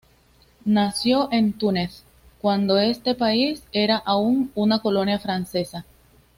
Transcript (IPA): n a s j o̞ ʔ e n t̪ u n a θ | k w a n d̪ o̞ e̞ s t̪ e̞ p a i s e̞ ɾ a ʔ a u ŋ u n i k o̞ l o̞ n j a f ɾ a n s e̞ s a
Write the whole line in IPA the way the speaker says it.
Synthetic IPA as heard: n a s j o̞ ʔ e n t̪ u n e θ | k w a n d̪ o̞ e̞ s t̪ e̞ p a i s e̞ ɾ a ʔ a u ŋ u n a k o̞ l o̞ n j a f ɾ a n s e̞ s a